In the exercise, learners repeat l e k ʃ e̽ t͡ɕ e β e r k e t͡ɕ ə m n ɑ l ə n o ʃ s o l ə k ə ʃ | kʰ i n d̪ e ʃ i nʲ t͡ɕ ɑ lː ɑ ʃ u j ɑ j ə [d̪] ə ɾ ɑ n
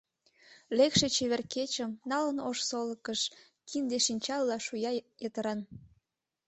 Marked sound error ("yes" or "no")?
yes